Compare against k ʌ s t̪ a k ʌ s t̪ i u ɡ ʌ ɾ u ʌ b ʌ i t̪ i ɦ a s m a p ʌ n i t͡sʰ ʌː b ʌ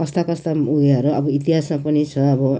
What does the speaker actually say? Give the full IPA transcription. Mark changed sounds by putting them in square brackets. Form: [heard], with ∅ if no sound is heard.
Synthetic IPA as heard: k ʌ s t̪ a k ʌ s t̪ [a] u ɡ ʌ ɾ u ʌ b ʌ i t̪ i ɦ a s m a p ʌ n i t͡sʰ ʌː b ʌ